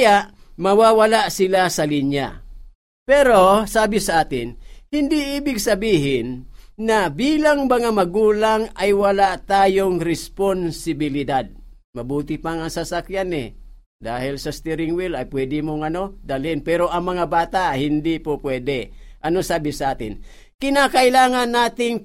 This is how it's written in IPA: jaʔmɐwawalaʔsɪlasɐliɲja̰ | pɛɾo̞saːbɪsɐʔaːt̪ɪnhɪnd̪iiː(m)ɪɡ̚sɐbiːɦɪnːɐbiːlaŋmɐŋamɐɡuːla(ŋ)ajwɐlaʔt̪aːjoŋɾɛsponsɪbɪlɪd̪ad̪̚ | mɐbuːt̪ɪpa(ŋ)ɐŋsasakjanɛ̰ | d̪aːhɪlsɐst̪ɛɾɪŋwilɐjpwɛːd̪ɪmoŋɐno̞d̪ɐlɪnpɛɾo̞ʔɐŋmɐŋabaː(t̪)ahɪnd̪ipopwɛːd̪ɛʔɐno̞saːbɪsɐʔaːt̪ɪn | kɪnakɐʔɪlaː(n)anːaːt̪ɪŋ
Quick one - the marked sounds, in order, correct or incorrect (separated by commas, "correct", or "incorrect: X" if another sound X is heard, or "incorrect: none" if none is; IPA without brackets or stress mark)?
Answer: incorrect: b, correct, correct, correct, incorrect: ŋ